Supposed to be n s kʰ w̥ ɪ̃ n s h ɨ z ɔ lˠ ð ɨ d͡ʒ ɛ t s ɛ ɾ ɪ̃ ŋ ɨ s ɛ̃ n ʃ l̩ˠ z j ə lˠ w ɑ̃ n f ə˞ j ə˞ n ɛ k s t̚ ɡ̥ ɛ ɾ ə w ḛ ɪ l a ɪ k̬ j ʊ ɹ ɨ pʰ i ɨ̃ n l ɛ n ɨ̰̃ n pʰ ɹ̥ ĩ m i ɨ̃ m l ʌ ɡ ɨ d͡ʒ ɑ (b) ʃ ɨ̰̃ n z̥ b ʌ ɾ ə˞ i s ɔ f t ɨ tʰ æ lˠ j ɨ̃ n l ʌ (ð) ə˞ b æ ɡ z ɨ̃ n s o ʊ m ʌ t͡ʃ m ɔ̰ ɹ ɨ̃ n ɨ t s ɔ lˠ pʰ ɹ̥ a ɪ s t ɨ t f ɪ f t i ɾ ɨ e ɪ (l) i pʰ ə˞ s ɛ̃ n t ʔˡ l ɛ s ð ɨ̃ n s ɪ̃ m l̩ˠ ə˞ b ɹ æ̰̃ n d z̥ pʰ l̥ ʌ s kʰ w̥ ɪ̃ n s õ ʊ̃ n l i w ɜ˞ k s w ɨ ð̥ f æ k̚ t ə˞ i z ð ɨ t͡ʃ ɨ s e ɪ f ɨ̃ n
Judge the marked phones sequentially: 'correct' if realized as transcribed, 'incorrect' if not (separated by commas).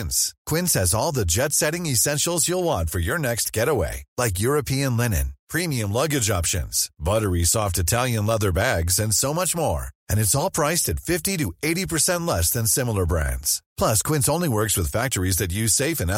incorrect, correct, incorrect